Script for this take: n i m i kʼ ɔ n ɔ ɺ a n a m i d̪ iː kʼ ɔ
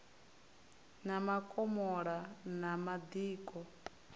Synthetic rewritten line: n a m a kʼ ɔ m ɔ ɺ a n a m a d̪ iː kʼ ɔ